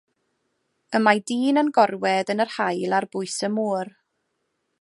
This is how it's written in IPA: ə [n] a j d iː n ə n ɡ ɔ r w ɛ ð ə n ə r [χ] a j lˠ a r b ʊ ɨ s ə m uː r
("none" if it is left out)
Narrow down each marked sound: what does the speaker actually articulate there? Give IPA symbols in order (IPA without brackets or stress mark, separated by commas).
m, h